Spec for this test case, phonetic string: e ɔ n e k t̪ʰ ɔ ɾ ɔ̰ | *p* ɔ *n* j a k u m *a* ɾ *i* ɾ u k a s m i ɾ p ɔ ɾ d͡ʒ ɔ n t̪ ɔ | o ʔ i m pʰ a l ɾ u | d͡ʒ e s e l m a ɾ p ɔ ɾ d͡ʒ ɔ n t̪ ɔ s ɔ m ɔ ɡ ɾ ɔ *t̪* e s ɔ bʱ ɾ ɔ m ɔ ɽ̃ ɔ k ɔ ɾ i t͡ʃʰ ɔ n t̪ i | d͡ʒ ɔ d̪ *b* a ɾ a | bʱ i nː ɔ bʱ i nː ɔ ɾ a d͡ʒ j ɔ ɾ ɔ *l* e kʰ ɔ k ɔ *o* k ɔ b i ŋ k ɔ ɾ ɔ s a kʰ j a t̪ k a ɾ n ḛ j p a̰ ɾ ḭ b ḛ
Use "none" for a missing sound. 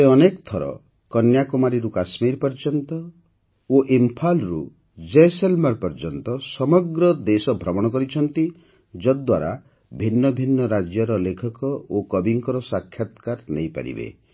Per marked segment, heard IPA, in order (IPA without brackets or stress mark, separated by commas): k, n, a, i, d̪, w, l, o